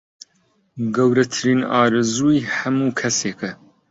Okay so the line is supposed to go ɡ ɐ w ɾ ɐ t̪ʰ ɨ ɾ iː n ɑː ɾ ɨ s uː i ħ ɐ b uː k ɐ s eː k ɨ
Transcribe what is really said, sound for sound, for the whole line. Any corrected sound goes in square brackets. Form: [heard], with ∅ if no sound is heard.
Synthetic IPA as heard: ɡ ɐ w ɾ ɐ t̪ʰ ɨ ɾ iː n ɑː ɾ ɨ [z] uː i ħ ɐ [m] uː [kʰ] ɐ s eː k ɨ